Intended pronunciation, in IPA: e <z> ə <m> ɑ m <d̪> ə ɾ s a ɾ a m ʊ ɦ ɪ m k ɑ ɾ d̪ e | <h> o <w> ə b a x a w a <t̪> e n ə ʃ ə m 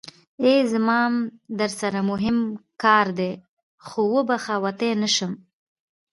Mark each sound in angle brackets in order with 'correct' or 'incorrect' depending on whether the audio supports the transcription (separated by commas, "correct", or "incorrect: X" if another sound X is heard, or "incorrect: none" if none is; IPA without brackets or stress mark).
correct, correct, correct, incorrect: x, correct, correct